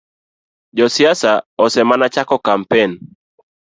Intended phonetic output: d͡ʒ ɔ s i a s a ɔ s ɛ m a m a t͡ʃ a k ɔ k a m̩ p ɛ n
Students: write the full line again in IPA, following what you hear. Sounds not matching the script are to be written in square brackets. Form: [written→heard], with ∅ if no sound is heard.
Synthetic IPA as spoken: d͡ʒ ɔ s i a s a ɔ s ɛ m a [m→n] a t͡ʃ a k ɔ k a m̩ p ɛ n